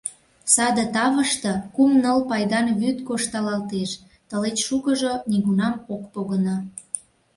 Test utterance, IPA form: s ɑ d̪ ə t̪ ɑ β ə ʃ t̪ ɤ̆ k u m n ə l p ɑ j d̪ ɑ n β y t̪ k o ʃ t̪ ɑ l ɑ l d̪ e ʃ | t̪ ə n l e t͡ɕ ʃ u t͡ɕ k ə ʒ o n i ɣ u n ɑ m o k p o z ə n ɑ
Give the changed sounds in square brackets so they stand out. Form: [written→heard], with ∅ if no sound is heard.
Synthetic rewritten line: s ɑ d̪ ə t̪ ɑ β ə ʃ t̪ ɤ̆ k u m n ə l p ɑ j d̪ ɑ n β y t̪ k o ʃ t̪ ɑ l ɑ l [d̪→t̪] e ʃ | t̪ ə [n→∅] l e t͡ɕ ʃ u [t͡ɕ→∅] k ə ʒ o n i ɣ u n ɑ m o k p o [z→ɣ] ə n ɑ